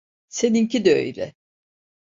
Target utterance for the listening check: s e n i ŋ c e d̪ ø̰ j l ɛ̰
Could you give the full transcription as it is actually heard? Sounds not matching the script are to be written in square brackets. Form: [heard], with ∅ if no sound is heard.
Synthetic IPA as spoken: s e n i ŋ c [i] d̪ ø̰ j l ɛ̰